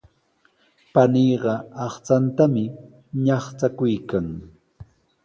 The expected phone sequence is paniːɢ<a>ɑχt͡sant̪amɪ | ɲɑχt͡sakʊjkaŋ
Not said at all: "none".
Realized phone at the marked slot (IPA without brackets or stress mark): ɑ